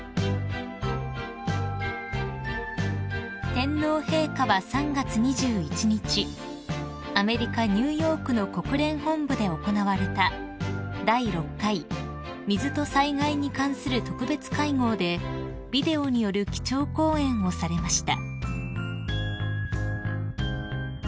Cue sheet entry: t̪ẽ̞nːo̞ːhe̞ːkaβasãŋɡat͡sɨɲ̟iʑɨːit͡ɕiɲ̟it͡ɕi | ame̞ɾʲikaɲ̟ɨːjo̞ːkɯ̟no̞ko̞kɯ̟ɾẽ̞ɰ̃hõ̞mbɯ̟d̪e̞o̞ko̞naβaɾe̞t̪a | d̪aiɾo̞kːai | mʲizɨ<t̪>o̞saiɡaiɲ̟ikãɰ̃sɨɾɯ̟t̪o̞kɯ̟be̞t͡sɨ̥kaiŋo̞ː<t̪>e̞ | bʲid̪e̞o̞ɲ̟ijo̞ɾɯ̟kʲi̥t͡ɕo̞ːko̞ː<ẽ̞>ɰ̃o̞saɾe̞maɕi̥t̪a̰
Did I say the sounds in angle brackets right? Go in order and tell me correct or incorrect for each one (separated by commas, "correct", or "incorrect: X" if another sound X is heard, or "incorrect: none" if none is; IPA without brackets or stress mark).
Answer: correct, incorrect: d̪, correct